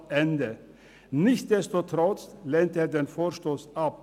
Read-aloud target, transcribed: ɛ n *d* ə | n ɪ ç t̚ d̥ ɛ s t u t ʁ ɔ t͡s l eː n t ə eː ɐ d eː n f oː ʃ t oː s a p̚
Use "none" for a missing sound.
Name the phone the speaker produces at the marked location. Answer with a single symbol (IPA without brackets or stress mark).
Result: d